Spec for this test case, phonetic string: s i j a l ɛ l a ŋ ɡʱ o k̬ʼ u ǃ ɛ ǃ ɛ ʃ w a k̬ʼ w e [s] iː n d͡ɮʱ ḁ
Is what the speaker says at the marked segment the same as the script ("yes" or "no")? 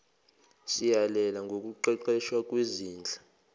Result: no